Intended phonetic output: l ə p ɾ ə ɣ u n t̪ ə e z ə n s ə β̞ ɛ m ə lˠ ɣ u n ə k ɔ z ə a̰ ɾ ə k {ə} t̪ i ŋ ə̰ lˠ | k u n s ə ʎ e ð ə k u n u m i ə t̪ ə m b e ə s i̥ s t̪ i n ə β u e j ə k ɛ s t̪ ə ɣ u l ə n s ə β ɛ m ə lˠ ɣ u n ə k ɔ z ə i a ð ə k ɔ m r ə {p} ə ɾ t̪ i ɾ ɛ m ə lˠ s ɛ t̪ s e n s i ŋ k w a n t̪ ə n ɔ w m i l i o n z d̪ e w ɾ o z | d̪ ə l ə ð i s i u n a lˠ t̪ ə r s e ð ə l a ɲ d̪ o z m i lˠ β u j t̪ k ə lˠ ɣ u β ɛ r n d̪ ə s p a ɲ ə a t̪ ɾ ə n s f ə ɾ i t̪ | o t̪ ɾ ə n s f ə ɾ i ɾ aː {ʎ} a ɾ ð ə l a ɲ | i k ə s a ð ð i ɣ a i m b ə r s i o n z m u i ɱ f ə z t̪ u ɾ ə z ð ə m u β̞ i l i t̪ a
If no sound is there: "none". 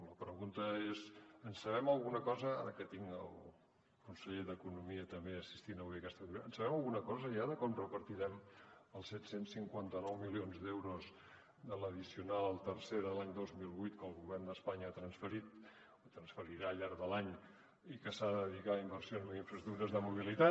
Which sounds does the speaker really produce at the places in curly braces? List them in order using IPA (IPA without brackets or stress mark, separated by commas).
ə, p, ʎ